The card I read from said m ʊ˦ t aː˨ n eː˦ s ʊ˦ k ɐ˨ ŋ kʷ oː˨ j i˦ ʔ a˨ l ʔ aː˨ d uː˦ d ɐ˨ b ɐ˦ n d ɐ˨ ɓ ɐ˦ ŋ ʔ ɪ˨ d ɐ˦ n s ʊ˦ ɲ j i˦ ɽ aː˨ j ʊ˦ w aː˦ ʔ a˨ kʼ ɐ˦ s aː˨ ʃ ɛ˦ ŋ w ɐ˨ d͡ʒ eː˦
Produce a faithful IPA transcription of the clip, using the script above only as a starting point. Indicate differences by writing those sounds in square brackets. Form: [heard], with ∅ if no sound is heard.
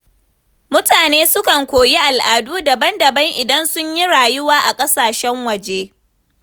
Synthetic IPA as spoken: m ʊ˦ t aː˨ n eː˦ s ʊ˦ k ɐ˨ ŋ kʷ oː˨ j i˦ ʔ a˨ l ʔ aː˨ d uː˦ d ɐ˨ b ɐ˦ n d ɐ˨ [b] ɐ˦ ŋ ʔ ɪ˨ d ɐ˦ n s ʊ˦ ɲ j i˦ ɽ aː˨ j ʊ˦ w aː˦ ʔ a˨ kʼ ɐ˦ s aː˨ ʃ ɛ˦ ŋ w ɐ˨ d͡ʒ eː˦